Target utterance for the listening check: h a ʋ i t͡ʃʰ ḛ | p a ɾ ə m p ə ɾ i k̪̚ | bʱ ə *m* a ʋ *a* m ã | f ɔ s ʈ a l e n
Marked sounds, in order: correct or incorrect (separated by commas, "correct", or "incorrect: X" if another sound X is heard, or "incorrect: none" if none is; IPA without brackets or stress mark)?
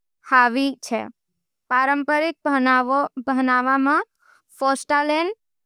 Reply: incorrect: n, correct